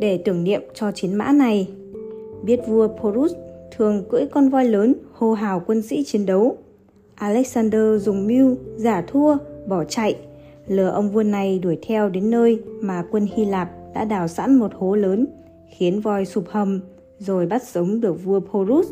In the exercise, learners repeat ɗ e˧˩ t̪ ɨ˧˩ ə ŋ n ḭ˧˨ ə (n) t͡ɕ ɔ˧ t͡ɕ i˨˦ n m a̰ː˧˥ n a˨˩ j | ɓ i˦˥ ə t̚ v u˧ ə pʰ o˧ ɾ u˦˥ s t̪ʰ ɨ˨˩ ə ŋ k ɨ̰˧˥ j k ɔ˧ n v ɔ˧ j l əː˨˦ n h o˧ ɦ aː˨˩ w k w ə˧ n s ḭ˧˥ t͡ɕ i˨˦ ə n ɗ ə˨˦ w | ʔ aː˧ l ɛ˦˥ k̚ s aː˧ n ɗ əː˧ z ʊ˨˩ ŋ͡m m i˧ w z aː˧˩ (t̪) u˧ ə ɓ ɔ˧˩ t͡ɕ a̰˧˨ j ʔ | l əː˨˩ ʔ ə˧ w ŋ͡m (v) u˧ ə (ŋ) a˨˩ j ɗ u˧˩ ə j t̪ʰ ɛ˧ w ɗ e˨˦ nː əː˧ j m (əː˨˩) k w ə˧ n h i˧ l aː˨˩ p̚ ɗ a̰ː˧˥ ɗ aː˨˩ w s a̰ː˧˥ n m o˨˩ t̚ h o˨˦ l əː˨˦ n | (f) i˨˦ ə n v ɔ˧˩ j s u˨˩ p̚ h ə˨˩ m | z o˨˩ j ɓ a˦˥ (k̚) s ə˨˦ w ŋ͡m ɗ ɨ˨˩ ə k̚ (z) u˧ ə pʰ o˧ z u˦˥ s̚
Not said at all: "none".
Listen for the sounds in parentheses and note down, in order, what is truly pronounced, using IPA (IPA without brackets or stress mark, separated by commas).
m, t̪ʰ, v, n, aː˨˩, x, t̚, v